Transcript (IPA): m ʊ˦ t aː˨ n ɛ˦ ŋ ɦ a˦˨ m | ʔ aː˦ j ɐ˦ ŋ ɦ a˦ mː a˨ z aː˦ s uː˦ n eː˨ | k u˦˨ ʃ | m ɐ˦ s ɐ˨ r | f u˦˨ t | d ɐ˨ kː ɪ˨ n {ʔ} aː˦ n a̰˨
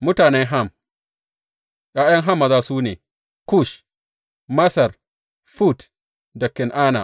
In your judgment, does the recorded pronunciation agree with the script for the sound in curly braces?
yes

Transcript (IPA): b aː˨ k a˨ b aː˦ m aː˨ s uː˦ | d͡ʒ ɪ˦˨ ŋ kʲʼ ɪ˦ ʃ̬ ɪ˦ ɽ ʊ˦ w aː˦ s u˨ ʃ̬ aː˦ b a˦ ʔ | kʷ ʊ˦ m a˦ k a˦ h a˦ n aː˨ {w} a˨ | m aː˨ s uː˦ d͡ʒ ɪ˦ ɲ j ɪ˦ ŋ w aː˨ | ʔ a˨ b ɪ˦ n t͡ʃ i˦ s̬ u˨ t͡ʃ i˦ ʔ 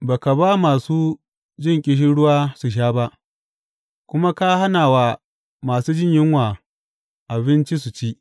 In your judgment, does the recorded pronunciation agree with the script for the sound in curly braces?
yes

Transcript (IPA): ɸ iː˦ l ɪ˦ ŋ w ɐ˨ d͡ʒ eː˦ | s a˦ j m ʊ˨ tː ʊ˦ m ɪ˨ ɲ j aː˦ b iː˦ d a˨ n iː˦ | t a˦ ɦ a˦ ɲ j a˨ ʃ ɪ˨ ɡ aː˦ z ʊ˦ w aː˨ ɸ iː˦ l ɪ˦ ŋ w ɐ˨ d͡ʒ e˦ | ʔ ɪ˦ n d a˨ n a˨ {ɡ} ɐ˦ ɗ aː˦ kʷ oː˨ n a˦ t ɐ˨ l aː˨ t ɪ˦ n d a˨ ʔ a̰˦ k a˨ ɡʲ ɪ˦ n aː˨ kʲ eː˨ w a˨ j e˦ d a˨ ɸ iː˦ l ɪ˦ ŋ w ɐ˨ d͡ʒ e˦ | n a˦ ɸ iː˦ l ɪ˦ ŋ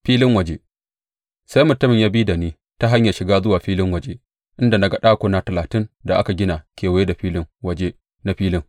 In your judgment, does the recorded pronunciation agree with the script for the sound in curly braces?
yes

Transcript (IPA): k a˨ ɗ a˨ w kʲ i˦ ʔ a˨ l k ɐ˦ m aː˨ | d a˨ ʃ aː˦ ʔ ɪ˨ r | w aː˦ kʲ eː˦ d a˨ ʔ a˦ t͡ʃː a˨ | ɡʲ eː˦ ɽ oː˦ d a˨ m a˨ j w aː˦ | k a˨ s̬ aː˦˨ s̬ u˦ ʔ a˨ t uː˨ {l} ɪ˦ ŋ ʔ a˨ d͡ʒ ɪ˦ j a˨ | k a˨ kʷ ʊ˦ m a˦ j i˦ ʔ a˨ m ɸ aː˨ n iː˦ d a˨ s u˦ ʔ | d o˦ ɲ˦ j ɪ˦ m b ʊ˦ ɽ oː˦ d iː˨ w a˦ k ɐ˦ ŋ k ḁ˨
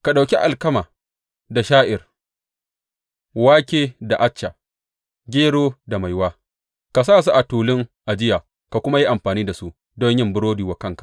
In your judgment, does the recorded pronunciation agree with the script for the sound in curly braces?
yes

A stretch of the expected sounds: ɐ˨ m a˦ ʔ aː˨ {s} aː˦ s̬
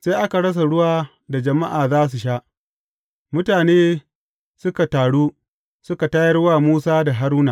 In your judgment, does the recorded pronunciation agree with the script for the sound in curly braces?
no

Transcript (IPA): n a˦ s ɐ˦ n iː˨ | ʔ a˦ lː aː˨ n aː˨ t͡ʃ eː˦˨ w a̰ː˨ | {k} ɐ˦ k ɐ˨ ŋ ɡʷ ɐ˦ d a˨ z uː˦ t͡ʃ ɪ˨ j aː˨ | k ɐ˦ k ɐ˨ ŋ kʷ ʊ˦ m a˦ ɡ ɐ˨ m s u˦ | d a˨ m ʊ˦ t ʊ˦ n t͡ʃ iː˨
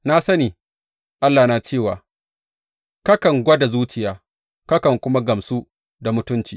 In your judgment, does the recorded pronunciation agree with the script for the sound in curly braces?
yes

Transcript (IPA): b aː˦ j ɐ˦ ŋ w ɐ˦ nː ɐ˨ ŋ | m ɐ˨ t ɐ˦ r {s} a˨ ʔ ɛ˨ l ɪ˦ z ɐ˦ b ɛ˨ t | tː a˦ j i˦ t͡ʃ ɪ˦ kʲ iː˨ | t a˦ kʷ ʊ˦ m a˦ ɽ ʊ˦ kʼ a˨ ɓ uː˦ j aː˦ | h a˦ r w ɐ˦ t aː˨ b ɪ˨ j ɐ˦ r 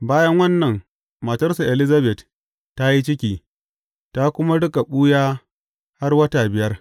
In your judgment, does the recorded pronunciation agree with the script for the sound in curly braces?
yes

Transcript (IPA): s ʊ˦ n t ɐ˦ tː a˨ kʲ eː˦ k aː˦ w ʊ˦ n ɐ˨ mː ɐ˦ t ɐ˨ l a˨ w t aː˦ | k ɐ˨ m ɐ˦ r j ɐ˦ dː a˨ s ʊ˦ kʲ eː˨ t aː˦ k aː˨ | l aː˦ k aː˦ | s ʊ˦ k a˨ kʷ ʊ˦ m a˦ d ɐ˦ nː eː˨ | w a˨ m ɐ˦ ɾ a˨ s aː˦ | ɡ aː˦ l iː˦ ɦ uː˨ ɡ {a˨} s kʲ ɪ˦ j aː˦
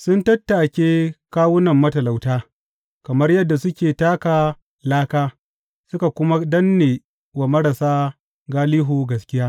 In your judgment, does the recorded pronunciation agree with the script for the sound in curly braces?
no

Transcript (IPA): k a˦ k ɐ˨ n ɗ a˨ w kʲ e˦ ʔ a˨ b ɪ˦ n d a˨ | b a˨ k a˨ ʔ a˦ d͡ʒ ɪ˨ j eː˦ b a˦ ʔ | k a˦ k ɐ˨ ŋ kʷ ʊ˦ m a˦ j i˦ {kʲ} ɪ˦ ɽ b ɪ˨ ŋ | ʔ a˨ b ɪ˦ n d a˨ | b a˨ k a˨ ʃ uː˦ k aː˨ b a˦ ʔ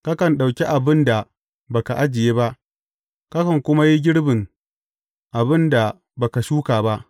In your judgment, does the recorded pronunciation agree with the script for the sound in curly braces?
no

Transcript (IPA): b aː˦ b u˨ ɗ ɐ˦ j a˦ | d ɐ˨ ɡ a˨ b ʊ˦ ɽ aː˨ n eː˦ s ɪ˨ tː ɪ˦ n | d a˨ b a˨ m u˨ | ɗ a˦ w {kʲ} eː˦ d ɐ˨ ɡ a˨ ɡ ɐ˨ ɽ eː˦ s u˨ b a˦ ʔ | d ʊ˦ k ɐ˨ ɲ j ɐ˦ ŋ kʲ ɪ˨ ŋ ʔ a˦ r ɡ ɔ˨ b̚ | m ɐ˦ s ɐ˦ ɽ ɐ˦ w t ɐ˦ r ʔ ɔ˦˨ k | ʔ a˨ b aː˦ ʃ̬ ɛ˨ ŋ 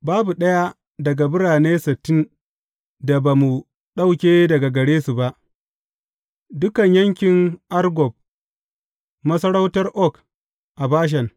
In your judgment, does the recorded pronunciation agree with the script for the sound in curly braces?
yes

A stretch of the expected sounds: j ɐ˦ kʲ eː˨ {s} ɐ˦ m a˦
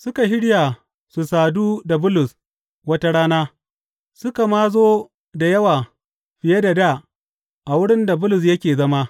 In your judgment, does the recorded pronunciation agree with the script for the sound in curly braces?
no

